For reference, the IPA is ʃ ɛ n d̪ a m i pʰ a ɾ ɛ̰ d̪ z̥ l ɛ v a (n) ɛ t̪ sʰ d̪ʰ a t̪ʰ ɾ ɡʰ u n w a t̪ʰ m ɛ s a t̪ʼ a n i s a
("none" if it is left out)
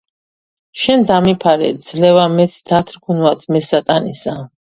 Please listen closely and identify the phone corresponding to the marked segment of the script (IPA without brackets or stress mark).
m